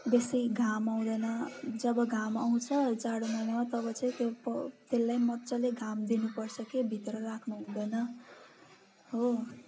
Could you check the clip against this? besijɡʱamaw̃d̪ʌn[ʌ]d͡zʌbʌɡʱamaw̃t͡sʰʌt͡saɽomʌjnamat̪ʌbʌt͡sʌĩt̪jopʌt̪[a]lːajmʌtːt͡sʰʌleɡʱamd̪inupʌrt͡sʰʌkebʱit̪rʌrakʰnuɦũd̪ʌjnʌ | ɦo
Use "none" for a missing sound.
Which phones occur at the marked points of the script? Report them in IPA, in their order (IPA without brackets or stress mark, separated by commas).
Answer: ʌ, e